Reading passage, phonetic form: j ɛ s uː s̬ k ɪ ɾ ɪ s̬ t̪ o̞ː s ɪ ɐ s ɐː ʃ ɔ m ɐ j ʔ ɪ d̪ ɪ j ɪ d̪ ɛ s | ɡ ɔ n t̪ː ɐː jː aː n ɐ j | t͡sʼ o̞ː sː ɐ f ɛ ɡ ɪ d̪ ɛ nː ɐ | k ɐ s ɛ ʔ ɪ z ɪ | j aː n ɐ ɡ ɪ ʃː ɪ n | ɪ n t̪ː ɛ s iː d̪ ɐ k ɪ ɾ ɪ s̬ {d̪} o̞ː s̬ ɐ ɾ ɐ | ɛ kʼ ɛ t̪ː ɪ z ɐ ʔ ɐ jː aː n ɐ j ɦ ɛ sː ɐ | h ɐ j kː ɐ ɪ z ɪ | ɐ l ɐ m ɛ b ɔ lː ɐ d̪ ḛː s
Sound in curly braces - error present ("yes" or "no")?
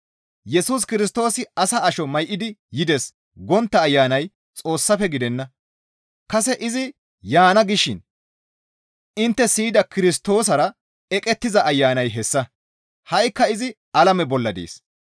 yes